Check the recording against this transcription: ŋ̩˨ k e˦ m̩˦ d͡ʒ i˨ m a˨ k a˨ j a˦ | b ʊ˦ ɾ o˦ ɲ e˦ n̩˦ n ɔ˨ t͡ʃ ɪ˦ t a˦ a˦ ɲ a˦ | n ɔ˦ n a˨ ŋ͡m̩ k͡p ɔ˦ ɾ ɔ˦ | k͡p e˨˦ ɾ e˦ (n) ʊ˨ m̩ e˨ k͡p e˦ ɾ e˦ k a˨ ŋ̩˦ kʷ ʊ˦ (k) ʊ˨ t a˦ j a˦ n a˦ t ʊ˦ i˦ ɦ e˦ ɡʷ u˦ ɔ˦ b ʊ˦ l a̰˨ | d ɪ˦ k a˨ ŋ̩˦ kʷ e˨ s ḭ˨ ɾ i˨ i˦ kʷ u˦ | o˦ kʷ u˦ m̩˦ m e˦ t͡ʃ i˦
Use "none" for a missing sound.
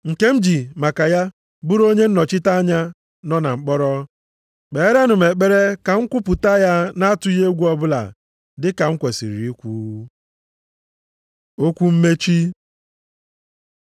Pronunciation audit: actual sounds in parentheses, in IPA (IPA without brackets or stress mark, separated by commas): n, p